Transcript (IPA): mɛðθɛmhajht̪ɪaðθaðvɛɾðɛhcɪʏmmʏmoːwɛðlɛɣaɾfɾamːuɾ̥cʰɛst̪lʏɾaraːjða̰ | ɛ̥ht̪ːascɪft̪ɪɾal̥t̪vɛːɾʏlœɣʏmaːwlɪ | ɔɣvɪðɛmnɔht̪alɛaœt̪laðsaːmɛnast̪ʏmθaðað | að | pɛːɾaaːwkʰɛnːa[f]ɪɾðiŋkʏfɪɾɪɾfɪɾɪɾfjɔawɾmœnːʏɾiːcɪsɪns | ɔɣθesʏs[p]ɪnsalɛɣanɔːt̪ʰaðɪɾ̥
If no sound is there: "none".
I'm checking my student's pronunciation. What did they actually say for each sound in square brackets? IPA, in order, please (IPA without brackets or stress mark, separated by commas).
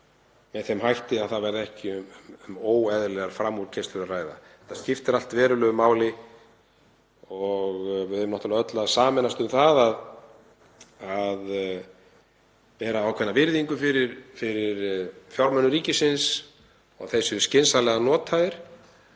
v, c